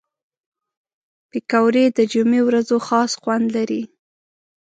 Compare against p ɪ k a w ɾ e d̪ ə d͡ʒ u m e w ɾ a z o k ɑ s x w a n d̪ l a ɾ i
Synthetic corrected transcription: p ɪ k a w ɾ e d̪ ə d͡ʒ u m e w ɾ a z o x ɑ s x w a n d̪ l a ɾ i